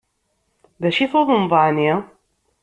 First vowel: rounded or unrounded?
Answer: unrounded